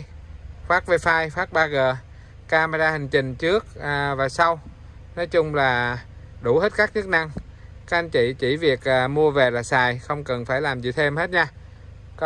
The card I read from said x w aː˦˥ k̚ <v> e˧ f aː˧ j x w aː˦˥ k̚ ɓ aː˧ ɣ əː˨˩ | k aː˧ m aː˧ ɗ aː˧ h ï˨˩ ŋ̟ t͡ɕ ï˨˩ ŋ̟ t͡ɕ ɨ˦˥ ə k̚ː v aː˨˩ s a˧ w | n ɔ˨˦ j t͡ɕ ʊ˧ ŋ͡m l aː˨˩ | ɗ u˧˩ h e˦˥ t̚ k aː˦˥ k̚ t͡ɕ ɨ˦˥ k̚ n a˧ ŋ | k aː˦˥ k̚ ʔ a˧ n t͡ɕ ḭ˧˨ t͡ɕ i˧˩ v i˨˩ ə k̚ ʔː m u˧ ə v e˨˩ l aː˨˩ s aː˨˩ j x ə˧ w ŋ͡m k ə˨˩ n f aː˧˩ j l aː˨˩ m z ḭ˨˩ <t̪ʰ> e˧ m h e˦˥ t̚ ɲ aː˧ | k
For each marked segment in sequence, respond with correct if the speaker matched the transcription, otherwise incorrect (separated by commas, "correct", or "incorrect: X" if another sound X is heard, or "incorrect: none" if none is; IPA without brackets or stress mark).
correct, correct